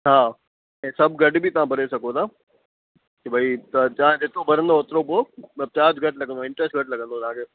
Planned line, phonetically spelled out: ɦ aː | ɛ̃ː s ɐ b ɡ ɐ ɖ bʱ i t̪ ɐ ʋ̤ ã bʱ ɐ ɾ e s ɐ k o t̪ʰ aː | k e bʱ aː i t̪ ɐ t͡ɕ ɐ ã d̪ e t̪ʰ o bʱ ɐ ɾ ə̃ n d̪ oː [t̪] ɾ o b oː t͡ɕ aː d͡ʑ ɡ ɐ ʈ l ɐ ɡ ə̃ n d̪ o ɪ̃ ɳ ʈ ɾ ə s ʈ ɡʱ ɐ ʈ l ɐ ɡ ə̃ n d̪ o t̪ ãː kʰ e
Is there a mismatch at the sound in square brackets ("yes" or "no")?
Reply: no